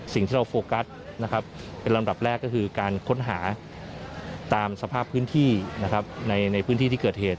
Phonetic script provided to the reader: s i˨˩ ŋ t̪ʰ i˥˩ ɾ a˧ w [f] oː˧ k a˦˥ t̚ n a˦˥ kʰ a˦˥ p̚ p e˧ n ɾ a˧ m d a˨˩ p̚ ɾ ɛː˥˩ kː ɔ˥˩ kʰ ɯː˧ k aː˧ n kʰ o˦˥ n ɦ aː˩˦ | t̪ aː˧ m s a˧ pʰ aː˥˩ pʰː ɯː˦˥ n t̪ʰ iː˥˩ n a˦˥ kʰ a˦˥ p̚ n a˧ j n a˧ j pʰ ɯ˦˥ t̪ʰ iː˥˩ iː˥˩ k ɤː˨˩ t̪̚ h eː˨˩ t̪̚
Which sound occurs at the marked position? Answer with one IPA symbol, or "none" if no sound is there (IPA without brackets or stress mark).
f